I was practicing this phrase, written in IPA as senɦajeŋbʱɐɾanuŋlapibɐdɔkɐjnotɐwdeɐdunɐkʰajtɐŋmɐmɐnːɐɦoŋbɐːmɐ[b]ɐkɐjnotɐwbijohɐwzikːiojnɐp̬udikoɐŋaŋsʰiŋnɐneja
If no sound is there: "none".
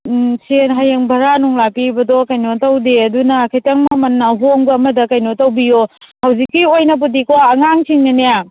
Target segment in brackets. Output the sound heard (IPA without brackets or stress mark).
d